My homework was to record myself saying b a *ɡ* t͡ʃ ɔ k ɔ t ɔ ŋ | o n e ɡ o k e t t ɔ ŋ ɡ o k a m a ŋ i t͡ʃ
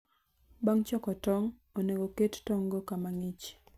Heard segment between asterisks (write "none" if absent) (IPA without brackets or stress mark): ŋ